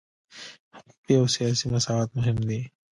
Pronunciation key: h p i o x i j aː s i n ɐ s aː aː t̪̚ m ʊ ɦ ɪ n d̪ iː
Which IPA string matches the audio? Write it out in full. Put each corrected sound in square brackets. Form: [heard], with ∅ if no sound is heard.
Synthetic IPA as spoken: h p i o [s] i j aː s i [m] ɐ s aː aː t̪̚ m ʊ ɦ ɪ [m] d̪ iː